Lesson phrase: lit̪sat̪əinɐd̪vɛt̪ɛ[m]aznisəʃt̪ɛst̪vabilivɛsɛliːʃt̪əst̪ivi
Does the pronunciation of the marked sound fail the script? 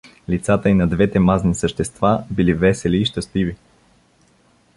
no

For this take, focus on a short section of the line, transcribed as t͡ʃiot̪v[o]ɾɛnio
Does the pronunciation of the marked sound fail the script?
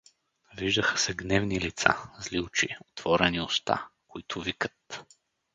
yes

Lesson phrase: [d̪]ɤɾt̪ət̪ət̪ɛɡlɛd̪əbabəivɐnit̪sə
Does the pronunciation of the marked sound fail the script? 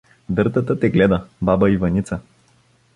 no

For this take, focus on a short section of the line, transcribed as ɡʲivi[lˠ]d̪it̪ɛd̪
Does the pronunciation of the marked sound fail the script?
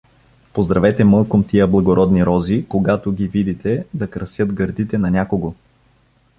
yes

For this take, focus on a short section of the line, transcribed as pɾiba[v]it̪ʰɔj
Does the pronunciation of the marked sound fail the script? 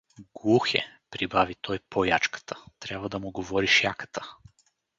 no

